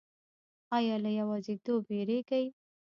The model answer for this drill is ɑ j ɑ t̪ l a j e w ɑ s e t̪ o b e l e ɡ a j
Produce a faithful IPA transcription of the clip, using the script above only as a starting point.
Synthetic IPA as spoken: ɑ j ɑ l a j a w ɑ z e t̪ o b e ɾ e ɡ a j